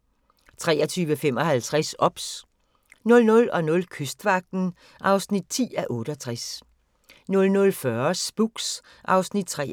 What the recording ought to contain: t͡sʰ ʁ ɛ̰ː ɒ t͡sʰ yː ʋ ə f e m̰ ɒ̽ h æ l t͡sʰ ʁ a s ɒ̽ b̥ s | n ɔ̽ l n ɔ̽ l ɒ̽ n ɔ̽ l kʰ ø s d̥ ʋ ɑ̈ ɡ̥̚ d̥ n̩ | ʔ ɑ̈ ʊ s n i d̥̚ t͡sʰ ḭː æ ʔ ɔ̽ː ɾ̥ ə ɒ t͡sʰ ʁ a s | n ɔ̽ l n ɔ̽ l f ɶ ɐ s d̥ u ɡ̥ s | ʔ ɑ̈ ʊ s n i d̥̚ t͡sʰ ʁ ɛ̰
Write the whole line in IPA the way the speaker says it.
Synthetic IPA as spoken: t͡sʰ ʁ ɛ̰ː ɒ t͡sʰ yː ʋ ə f e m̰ ɒ̽ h æ l t͡sʰ ʁ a s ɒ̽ b̥ s | n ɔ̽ l n ɔ̽ l ɒ̽ n ɔ̽ l kʰ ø s d̥ ʋ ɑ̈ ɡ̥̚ d̥ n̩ | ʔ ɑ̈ ʊ s n i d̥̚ t͡sʰ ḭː æ ʔ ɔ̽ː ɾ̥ ə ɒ t͡sʰ ʁ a s | n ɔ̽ l n ɔ̽ l f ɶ ɐ s b̥ u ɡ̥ s | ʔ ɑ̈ ʊ s n i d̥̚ t͡sʰ ʁ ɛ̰